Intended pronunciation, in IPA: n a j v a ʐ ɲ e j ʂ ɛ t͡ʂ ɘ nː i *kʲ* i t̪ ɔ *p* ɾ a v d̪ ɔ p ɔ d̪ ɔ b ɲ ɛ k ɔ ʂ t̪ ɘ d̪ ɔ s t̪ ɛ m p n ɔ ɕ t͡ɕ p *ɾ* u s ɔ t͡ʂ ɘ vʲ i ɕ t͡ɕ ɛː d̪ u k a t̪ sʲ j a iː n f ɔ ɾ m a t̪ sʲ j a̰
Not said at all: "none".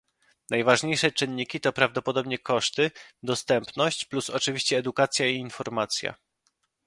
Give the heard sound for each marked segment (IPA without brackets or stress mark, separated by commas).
kʲ, p, l